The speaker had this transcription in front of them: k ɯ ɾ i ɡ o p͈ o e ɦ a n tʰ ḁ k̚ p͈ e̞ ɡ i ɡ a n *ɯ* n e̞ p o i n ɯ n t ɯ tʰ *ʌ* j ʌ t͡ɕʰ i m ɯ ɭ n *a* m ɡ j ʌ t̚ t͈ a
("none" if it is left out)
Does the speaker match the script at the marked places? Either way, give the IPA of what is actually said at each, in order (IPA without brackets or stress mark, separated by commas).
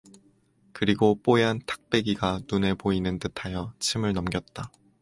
u, a, ʌ